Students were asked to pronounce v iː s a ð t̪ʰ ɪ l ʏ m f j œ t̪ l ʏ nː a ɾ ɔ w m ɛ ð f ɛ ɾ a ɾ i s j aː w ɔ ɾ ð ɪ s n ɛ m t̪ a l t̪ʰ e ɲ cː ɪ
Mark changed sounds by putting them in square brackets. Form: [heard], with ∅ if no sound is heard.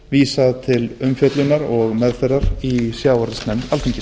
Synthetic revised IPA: v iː s a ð t̪ʰ ɪ l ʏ m f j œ t̪ l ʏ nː a ɾ ɔ [ɣ] m ɛ ð f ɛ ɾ a ɾ i s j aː w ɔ ɾ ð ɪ s n ɛ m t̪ a l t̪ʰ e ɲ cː ɪ